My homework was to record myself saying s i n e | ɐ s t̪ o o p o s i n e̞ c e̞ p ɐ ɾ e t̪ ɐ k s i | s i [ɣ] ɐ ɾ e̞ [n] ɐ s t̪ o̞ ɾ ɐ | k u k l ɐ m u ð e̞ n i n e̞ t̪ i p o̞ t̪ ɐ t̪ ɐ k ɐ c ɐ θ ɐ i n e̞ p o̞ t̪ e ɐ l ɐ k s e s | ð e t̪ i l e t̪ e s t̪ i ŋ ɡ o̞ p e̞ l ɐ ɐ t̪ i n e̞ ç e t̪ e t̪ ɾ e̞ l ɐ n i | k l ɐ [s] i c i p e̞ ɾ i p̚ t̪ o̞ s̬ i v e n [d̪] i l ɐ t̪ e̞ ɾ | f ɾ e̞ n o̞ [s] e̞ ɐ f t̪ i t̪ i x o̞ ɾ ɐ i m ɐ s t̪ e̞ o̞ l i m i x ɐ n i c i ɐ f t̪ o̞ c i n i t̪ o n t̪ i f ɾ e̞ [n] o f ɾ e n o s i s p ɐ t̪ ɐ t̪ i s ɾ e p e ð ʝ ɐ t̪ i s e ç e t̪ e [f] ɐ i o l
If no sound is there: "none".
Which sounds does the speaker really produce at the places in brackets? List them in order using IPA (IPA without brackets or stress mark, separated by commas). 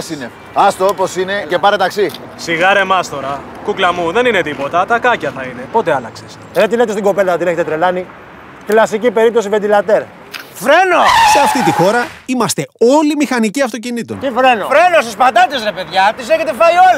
ɣ, m, s, d̪, s, n, f